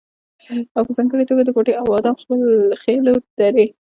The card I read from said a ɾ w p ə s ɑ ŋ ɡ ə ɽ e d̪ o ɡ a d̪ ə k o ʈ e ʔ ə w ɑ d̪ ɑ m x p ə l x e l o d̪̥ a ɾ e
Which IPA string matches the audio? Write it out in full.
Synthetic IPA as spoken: a w p ə z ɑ ŋ ɡ ə ɽ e t̪ o ɡ a d̪ ə k o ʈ e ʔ a w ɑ d̪ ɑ m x p ə l x e l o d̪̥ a ɾ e